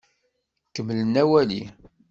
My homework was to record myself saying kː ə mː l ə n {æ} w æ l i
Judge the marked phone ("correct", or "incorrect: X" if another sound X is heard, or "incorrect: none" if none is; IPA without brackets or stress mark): correct